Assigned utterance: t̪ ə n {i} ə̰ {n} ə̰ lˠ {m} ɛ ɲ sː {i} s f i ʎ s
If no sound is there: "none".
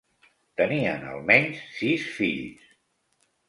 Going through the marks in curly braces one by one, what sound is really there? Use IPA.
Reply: i, n, m, i

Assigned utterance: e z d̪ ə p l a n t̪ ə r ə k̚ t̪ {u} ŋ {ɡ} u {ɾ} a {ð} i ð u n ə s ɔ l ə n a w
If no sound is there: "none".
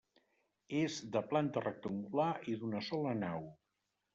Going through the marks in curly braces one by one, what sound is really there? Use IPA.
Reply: u, ɡ, l, none

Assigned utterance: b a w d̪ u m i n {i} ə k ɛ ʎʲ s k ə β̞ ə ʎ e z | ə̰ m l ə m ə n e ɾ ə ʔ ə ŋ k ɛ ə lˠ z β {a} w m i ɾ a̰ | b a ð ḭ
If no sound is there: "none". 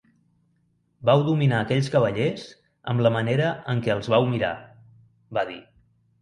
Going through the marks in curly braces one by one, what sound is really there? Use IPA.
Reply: a, a

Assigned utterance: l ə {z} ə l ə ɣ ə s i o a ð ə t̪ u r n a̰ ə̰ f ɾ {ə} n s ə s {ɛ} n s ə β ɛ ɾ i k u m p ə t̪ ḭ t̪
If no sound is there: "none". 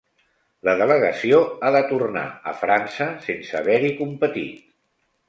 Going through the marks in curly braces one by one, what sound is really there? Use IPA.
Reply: ð, a, e

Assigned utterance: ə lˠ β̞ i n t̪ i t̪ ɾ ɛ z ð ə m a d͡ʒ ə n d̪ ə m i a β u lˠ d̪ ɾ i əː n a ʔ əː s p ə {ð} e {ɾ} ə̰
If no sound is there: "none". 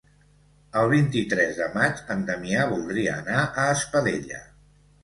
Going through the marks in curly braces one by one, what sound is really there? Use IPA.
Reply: ð, ʎ

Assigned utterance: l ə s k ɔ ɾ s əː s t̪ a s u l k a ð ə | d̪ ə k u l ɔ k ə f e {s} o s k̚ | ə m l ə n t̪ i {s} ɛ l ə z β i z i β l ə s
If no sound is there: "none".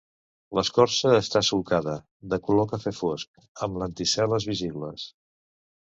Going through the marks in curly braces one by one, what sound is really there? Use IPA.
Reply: f, s

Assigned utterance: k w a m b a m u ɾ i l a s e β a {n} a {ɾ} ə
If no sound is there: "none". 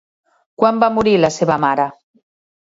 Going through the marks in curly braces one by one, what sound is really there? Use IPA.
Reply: m, ɾ

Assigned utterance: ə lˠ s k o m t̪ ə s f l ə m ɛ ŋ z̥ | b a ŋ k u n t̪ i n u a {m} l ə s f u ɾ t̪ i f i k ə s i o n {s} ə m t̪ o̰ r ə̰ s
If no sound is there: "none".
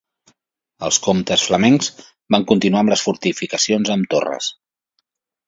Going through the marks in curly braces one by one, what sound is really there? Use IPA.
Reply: m, z

